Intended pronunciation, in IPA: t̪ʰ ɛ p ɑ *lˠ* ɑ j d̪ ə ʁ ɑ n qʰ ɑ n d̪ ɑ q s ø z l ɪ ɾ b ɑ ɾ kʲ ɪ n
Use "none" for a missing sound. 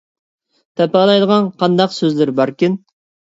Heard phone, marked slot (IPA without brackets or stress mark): lˠ